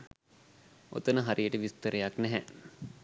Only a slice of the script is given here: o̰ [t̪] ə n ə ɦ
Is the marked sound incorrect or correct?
correct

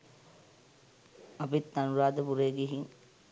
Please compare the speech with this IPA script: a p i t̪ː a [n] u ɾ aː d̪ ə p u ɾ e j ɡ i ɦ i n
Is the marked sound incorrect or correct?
correct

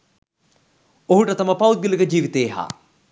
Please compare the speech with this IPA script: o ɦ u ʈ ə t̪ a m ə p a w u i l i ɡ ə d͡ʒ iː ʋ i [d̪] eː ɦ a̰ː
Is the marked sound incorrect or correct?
incorrect: t̪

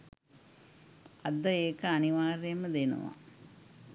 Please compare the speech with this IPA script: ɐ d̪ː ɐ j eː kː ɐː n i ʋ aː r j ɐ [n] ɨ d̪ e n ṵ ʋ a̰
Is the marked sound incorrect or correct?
incorrect: m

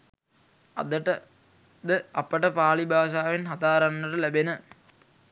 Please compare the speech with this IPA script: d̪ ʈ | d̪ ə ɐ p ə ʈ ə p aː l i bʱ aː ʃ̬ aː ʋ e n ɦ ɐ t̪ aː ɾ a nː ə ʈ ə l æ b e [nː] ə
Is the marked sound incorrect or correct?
incorrect: n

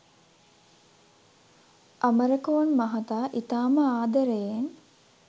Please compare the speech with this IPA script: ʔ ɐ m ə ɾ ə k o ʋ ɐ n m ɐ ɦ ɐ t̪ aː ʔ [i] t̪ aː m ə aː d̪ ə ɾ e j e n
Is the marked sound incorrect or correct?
correct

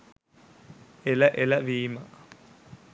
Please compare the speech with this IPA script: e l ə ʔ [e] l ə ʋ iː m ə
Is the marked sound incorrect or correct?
correct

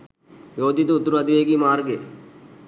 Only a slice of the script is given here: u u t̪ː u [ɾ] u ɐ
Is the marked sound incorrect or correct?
correct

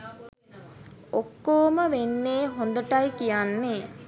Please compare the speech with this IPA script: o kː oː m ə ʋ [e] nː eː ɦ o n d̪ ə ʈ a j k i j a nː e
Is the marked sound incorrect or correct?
correct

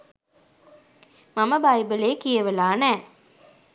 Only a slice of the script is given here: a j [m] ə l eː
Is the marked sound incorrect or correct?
incorrect: b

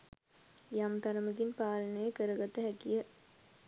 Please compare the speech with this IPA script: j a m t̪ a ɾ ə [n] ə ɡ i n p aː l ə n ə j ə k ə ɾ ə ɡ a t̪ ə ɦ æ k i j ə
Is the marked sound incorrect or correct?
incorrect: m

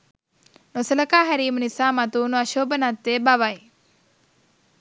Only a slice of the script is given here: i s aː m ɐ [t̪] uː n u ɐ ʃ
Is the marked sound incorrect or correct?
correct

